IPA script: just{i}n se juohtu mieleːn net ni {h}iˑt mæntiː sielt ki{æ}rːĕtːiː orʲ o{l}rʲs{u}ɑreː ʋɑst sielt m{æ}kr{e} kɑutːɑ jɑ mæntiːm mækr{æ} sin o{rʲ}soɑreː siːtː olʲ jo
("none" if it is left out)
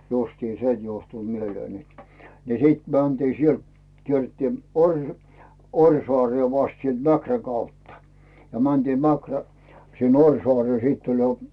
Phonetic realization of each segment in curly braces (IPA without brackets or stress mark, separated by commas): iː, s, e, none, o, æ, æ, æ, rʲ